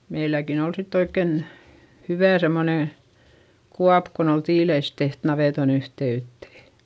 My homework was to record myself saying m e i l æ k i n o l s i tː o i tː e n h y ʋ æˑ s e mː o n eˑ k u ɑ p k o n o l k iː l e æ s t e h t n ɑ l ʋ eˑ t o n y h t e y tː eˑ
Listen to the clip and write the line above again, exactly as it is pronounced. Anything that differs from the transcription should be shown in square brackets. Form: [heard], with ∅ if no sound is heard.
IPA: m e i l æ k i n o l s i tː o i [kː] e n h y ʋ æˑ s e mː o n eˑ k u ɑ p k o n o l [t] iː l e [i] s t e h t n ɑ [∅] ʋ eˑ t o n y h t e y tː eˑ